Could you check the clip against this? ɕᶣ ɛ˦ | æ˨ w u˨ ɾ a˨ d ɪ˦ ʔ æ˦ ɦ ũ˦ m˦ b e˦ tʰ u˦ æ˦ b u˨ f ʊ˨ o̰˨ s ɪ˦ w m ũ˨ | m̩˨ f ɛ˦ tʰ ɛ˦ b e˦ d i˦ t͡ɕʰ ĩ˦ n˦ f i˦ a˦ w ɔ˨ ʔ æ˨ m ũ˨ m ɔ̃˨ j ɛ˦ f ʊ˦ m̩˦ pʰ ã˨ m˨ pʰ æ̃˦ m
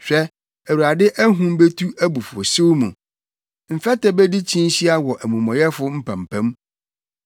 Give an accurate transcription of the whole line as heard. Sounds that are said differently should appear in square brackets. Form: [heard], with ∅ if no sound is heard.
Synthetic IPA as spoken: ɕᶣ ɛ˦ | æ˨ w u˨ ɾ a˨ d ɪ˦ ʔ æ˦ ɦ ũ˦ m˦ b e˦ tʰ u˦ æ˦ b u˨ f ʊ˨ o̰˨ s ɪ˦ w m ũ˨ | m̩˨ f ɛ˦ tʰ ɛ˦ b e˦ d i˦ t͡ɕʰ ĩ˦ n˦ [ɕ] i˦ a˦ w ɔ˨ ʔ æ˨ m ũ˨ m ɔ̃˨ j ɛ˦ f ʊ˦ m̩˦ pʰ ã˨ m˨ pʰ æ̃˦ m

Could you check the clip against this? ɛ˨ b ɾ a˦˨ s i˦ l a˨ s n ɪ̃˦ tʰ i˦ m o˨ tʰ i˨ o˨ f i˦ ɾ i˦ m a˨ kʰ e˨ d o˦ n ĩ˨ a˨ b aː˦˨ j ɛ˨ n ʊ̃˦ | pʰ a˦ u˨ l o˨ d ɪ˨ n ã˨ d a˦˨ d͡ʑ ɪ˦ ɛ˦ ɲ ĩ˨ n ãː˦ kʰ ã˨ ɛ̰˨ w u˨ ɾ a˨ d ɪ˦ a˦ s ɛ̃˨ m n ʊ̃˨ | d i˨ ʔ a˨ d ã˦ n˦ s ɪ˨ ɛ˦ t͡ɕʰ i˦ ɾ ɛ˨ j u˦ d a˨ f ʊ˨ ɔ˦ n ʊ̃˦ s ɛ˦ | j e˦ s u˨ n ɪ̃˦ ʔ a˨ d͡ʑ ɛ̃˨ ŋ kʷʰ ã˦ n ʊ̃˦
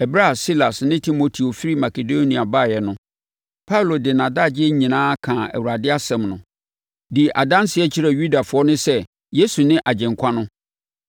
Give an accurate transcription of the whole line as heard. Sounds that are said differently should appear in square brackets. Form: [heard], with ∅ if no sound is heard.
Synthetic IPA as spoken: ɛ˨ b ɾ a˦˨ s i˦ l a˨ s n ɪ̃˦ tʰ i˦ m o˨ tʰ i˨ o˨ f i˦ ɾ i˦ m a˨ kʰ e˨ d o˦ n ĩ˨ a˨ b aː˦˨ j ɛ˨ n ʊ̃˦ | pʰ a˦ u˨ l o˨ d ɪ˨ n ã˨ d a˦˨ d͡ʑ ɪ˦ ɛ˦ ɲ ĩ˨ n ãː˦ kʰ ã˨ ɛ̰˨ w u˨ ɾ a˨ d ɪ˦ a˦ s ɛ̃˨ m n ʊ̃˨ | d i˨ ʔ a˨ d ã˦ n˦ s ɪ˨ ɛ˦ t͡ɕʰ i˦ ɾ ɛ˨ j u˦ d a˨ f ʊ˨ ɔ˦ n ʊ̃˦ s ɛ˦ | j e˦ s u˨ n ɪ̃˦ ʔ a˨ d͡ʑ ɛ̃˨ ŋ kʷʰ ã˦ n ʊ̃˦

